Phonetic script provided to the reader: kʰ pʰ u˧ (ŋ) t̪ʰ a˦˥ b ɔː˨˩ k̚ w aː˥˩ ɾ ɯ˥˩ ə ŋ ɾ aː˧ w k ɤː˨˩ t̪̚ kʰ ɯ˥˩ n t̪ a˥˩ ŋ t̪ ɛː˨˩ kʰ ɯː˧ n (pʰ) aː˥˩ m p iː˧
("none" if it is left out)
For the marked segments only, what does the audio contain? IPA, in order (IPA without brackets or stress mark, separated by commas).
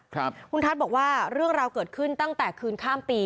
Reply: n, kʰ